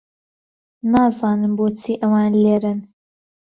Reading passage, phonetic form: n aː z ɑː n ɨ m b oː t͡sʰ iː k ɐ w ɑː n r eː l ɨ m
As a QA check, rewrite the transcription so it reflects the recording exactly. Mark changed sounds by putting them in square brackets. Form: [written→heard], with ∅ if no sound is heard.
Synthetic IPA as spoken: n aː z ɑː n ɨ m b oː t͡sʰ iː [k→ʔ] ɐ w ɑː n [r→l] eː [l→ɾ] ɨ [m→n]